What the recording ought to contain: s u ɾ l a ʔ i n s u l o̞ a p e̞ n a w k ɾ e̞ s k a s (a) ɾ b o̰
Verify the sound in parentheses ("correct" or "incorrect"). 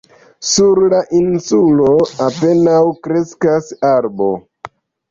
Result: correct